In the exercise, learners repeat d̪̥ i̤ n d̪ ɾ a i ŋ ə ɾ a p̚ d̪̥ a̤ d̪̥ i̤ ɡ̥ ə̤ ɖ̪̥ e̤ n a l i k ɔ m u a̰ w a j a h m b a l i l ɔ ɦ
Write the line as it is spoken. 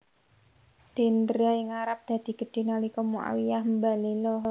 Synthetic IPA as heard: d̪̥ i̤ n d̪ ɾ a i ŋ a ɾ a p̚ d̪̥ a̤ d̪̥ i̤ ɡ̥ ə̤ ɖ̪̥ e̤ n a l i k ɔ m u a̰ w i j a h m b a l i l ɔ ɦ